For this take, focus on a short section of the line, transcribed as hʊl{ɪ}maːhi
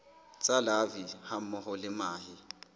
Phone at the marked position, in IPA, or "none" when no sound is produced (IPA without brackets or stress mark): ɪ